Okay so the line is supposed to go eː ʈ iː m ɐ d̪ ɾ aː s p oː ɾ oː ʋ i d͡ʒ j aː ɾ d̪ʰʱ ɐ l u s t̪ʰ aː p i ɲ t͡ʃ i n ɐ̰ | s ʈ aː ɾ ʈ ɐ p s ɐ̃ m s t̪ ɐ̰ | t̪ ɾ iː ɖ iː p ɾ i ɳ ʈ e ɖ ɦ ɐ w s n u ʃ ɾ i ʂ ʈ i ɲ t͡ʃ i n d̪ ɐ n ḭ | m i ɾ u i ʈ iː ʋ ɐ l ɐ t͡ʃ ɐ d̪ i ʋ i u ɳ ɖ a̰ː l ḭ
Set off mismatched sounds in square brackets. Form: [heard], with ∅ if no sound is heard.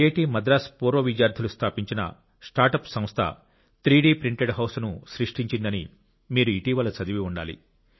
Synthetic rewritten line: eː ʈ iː m ɐ d̪ ɾ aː s p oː ɾ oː ʋ i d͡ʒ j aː ɾ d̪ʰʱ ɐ l u s t̪ʰ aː p i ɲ t͡ʃ i n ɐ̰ | s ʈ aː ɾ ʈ ɐ p s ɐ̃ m s [t̪ʰ] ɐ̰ | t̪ ɾ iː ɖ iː p ɾ i ɳ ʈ e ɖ ɦ ɐ w s n u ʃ ɾ i ʂ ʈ i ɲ t͡ʃ i n d̪ ɐ n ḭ | m [iː] ɾ u i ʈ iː ʋ ɐ l ɐ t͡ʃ ɐ d̪ i ʋ i u ɳ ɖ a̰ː l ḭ